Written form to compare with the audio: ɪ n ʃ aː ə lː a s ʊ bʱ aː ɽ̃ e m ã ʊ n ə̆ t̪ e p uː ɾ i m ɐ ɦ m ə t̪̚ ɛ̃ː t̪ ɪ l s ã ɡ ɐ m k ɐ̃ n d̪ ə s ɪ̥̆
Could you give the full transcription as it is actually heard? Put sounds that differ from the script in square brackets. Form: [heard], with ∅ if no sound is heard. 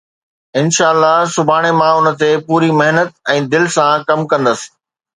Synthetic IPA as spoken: ɪ n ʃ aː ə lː a s ʊ bʱ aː ɽ̃ e m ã ʊ n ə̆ t̪ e p uː ɾ i m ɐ ɦ [n] ə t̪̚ ɛ̃ː [d̪] ɪ l s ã [k] ɐ m k ɐ̃ n d̪ ə s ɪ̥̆